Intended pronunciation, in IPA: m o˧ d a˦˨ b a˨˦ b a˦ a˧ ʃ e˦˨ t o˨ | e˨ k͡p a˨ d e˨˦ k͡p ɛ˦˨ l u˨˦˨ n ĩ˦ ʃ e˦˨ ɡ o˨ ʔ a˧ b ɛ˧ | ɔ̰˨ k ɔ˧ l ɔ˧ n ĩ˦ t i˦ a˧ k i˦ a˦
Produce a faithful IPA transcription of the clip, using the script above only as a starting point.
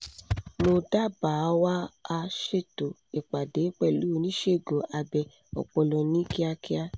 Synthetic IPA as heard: m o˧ d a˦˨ b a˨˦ w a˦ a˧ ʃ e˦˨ t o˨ | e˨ k͡p a˨ d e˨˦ k͡p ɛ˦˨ l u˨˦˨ n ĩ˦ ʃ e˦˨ ɡ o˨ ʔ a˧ b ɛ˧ | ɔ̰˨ k͡p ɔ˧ l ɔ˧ n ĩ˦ k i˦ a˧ k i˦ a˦